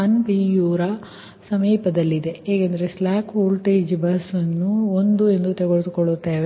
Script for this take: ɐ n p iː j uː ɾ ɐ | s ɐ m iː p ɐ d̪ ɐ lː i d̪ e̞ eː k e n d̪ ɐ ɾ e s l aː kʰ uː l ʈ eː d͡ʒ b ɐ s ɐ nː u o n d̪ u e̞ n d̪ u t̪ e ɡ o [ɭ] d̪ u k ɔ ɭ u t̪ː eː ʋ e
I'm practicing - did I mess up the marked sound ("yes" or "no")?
no